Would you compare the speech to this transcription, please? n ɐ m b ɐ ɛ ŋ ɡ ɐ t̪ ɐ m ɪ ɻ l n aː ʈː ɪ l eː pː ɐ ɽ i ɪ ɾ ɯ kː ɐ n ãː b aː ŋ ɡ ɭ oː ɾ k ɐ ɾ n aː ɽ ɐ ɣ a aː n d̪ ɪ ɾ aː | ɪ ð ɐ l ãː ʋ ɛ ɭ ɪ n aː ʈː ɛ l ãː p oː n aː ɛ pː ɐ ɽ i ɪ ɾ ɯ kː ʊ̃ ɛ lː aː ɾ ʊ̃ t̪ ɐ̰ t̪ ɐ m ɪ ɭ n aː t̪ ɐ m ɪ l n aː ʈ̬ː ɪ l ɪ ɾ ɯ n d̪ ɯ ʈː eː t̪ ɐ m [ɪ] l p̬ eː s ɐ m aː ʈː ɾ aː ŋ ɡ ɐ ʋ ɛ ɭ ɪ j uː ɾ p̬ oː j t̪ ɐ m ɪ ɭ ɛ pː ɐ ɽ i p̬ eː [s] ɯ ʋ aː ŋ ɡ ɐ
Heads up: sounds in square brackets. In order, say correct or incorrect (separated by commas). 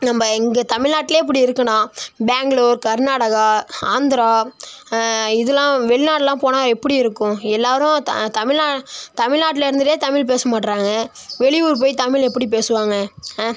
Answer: correct, correct